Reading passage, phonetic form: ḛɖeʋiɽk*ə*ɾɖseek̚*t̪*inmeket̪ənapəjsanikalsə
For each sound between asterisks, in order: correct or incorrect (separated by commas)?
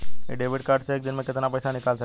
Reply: incorrect, incorrect